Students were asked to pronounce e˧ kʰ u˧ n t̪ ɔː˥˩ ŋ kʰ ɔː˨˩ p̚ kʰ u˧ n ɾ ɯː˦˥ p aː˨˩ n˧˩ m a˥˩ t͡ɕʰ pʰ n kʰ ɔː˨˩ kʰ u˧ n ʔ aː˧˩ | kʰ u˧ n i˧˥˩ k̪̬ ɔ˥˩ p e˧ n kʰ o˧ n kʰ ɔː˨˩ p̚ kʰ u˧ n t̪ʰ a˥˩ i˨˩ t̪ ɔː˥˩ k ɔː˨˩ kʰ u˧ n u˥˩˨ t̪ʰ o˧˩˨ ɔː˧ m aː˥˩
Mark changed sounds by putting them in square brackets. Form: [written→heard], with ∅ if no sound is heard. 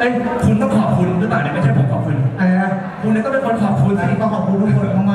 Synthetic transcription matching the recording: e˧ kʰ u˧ n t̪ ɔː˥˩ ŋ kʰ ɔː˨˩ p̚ kʰ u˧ n ɾ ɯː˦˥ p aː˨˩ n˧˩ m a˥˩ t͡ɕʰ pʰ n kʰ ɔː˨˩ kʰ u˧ n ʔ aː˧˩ | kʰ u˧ n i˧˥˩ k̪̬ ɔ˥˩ p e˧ n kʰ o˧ n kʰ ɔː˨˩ p̚ kʰ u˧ n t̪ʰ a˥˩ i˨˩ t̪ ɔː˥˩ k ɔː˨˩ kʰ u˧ n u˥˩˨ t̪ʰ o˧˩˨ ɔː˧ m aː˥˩